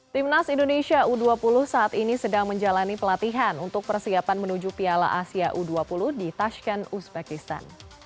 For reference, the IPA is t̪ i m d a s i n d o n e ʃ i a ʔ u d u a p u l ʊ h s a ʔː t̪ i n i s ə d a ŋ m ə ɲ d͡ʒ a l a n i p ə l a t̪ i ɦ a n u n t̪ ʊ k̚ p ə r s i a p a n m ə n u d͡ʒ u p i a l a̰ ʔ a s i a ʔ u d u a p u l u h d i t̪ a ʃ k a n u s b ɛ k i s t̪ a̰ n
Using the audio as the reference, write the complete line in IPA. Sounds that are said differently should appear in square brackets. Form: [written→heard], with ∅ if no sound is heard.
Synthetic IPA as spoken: t̪ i m [d→n] a s i n d o n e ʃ i a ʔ u d u a p u l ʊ h s a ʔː t̪ i n i s ə d a ŋ m ə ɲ d͡ʒ a l a n i p ə l a t̪ i ɦ a n u n t̪ ʊ k̚ p ə r s i a p a n m ə n u d͡ʒ u p i a l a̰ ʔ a s i a ʔ u d u a p u l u h d i t̪ a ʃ k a n u s b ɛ k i s t̪ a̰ n